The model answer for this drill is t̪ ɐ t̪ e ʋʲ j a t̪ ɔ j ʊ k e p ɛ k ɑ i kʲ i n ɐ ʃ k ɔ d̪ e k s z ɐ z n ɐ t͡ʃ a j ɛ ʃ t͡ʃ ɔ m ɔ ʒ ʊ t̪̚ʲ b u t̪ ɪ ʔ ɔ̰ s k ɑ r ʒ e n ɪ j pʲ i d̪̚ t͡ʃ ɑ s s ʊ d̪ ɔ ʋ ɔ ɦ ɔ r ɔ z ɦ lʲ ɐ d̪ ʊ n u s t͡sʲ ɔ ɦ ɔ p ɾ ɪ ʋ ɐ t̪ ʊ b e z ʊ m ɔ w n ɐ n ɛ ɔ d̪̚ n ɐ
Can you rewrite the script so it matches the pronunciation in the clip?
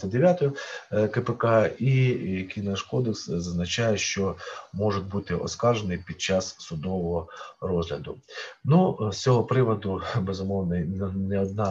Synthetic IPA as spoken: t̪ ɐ d̪ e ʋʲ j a t̪ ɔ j ʊ k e p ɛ k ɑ i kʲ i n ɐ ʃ k ɔ d̪ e k s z ɐ z n ɐ t͡ʃ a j ɛ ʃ t͡ʃ ɔ m ɔ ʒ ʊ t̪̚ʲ b u t̪ ɪ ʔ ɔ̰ s k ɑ r ʒ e n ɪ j pʲ i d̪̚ t͡ʃ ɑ s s ʊ d̪ ɔ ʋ ɔ ɦ ɔ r ɔ z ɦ lʲ ɐ d̪ ʊ n u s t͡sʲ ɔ ɦ ɔ p ɾ ɪ ʋ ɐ d̪ ʊ b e z ʊ m ɔ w n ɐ n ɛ ɔ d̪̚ n ɑ